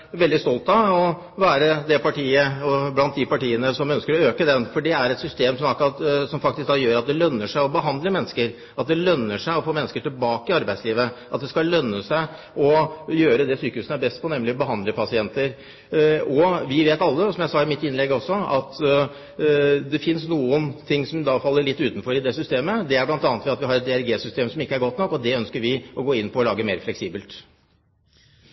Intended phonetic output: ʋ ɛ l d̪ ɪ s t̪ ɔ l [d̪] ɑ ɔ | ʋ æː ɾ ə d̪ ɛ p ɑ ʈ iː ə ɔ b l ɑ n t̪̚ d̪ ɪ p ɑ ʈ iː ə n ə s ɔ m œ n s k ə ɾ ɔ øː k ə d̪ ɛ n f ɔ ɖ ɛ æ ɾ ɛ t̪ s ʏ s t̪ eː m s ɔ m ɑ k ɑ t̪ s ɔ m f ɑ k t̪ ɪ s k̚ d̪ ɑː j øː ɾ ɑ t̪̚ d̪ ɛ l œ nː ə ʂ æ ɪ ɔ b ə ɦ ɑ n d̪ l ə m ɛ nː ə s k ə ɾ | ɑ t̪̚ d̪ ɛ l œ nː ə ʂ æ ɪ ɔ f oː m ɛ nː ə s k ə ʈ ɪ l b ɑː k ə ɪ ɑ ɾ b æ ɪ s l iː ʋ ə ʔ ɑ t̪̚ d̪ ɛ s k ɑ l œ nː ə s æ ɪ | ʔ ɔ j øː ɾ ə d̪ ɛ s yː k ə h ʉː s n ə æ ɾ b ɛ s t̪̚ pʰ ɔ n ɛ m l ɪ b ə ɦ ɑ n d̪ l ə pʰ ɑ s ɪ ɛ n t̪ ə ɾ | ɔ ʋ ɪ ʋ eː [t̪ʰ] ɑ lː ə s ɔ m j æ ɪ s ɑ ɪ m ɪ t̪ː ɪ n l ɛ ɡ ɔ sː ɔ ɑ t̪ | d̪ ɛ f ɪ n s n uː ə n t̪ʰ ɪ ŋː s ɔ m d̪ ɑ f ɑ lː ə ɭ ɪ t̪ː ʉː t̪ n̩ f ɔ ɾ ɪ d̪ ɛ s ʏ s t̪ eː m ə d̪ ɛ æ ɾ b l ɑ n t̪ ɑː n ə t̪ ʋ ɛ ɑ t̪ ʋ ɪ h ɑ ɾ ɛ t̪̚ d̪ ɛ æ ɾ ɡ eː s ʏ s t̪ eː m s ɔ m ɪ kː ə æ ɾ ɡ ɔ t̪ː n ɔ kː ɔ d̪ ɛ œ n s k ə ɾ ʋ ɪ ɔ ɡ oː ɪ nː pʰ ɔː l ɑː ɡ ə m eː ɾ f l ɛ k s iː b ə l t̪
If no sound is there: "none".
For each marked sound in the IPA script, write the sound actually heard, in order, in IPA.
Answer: t̪, t̪

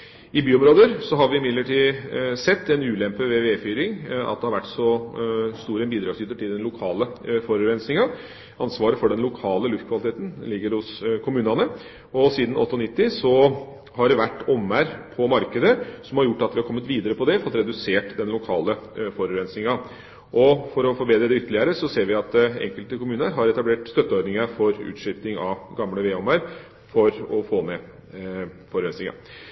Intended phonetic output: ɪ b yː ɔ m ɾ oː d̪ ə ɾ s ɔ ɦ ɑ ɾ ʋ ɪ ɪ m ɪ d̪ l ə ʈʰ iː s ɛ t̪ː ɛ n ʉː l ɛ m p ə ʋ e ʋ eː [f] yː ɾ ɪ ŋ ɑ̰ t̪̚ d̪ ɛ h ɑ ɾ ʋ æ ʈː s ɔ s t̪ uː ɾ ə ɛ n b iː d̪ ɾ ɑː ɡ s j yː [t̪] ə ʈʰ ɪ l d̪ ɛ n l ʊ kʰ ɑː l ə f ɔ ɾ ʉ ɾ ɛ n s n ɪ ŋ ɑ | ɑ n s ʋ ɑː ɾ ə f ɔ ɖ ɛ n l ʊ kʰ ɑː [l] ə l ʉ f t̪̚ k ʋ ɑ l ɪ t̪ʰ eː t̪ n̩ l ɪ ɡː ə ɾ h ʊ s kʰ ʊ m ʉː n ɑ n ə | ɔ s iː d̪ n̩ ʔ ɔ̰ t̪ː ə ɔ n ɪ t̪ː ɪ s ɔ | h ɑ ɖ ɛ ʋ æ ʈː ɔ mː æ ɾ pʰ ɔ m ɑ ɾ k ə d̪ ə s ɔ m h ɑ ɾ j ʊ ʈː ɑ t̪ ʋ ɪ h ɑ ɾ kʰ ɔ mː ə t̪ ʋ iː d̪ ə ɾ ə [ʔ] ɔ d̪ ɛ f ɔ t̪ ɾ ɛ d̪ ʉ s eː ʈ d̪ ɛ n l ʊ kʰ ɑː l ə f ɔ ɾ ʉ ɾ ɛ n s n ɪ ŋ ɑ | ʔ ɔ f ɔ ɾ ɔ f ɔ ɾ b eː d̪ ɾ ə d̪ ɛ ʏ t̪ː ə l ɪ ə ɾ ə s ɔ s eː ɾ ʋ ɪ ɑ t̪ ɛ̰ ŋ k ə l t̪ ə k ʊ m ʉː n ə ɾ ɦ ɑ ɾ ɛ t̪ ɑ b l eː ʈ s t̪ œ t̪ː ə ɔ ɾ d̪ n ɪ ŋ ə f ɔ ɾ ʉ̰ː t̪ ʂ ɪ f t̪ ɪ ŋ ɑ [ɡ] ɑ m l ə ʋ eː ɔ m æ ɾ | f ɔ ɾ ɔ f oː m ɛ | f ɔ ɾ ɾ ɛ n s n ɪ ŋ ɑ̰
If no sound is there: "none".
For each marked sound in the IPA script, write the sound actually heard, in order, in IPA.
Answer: f, t̪, l, p, ɡ

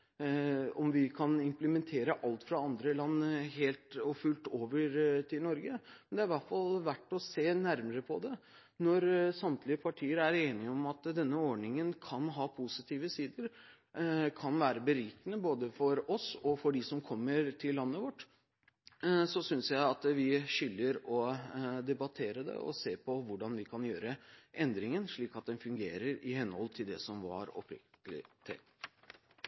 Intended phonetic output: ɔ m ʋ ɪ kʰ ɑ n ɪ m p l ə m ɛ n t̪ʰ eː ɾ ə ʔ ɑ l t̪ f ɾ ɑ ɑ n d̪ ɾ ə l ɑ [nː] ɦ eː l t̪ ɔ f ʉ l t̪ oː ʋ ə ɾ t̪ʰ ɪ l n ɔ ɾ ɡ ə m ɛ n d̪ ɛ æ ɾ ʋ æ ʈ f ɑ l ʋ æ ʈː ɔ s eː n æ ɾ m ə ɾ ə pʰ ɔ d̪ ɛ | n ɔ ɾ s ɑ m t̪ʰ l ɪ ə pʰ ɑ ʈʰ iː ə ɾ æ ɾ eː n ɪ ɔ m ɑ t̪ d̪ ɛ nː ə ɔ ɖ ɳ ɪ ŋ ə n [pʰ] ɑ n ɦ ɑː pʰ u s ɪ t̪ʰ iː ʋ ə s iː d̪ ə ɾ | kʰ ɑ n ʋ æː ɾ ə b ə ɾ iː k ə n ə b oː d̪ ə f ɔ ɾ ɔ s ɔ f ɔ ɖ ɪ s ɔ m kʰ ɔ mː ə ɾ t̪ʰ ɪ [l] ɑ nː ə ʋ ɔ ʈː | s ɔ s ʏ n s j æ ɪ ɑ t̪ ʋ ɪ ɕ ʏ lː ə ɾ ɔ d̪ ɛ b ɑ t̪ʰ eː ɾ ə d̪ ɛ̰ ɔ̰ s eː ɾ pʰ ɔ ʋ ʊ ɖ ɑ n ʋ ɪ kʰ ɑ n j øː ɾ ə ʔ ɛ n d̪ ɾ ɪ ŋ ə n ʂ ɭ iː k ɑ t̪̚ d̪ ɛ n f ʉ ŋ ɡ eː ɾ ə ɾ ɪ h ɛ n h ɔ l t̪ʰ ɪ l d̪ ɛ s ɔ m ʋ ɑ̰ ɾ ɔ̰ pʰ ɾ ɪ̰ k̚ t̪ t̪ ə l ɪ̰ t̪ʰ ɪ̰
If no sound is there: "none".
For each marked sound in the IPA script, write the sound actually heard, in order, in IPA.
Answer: nː, kʰ, lː

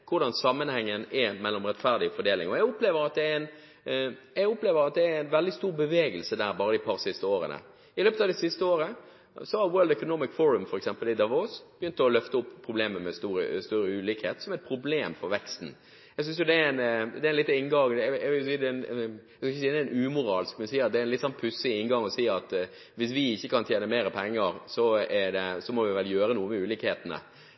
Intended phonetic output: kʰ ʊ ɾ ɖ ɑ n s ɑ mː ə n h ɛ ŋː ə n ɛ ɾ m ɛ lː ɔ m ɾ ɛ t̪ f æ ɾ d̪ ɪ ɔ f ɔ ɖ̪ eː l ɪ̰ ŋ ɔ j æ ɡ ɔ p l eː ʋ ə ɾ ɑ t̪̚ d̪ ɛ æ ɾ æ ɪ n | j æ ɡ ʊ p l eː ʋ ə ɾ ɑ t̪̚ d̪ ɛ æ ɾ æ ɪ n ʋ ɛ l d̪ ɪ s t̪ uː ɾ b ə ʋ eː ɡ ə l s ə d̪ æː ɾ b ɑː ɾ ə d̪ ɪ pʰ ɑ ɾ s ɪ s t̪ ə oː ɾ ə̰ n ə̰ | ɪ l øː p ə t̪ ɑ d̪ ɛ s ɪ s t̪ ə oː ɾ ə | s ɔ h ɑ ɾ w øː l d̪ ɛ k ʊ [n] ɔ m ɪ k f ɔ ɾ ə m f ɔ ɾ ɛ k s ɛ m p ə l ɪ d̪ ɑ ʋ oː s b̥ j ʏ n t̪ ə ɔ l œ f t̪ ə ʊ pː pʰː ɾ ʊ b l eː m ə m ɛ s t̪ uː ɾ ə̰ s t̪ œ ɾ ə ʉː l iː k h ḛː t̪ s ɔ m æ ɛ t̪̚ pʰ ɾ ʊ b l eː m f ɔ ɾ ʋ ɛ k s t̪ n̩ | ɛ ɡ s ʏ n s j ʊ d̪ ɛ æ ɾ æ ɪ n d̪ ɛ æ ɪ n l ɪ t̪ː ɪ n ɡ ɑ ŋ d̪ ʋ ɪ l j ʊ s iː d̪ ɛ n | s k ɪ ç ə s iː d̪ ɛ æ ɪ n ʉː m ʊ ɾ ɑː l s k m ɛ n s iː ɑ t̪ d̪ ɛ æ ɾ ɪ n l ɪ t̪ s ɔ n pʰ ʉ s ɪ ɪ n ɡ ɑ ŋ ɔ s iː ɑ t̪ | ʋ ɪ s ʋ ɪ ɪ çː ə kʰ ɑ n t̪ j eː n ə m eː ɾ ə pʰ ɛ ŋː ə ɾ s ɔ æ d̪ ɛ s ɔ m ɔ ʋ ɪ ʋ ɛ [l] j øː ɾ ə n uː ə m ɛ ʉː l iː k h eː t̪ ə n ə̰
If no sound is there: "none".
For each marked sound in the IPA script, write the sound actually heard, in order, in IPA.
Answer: n, l

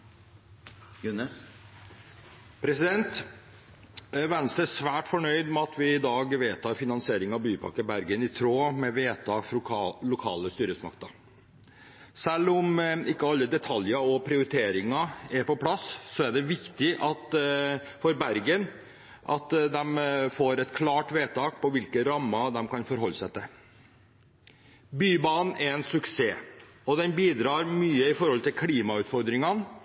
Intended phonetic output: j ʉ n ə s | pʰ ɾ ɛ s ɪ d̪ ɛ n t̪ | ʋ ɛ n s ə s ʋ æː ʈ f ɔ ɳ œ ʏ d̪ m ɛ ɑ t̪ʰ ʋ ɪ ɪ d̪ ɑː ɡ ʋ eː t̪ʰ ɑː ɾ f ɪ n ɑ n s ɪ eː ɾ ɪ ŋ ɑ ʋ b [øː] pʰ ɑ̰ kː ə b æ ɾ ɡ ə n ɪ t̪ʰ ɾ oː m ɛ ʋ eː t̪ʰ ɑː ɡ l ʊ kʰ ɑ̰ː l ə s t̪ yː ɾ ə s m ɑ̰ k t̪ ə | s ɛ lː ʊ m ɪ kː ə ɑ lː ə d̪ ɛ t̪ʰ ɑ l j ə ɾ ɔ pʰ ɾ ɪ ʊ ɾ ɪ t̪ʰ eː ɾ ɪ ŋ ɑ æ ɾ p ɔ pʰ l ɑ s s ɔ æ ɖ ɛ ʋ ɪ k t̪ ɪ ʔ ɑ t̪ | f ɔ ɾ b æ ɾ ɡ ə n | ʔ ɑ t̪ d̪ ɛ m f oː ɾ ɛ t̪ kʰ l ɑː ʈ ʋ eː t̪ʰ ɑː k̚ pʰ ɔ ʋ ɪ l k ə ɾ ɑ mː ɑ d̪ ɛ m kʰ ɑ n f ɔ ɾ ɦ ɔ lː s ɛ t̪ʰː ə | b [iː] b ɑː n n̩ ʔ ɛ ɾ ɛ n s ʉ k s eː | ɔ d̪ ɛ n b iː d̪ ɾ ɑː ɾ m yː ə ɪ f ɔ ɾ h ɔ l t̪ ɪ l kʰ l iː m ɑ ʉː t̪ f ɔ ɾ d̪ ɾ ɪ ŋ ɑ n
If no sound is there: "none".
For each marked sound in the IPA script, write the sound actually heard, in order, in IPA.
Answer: yː, yː

